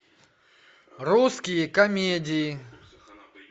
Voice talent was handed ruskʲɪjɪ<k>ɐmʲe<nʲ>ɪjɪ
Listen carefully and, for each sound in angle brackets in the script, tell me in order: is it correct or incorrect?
correct, incorrect: dʲ

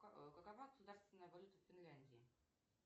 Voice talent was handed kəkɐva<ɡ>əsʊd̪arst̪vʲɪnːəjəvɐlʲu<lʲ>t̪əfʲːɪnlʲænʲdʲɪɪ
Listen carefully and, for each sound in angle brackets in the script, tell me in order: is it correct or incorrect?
correct, incorrect: none

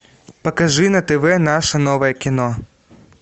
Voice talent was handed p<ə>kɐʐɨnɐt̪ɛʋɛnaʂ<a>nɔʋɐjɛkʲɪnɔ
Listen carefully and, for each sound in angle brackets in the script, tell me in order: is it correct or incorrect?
incorrect: ɐ, incorrect: ɐ

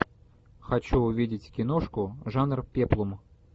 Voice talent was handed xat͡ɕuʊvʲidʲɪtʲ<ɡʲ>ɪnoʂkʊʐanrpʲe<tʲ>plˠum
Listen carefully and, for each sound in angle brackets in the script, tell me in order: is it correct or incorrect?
incorrect: kʲ, incorrect: none

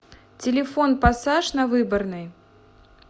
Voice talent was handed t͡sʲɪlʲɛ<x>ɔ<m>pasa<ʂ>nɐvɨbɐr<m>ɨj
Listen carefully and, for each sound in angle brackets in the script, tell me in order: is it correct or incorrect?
incorrect: f, incorrect: n, correct, incorrect: n

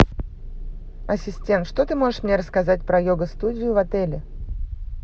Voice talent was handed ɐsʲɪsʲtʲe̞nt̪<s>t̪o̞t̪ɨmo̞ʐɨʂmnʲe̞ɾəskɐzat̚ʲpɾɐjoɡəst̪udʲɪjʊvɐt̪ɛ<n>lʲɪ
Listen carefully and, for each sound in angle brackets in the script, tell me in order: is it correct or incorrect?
incorrect: ʂ, incorrect: none

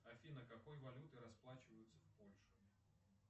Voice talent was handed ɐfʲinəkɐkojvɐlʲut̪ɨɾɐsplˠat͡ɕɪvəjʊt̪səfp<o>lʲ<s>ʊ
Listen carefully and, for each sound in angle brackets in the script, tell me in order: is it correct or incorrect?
correct, incorrect: ʂ

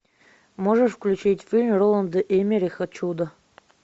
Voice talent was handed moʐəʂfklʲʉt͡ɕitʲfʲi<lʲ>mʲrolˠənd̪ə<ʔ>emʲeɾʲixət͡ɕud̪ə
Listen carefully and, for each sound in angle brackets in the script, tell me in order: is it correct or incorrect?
correct, correct

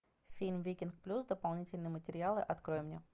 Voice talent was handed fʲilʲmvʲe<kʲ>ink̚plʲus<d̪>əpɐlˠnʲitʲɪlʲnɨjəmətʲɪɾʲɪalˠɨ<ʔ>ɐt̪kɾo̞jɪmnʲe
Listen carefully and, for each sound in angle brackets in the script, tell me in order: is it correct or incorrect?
correct, correct, correct

